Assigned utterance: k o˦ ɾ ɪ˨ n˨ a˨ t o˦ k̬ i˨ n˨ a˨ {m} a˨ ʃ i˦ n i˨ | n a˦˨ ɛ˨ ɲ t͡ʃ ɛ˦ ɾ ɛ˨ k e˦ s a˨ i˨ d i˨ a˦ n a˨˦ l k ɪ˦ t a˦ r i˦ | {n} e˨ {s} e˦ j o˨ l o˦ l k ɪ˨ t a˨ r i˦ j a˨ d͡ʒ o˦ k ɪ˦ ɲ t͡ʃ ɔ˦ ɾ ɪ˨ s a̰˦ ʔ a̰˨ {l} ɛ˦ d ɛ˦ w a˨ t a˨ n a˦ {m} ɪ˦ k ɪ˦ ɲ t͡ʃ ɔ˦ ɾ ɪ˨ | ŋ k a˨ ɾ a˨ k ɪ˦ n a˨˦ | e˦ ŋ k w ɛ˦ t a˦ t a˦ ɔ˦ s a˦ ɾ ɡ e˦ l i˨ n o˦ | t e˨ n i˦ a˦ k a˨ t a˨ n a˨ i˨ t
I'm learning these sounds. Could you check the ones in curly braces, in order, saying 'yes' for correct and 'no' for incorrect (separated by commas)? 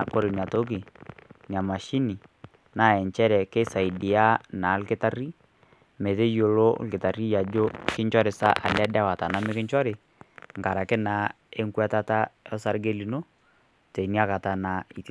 yes, no, no, yes, yes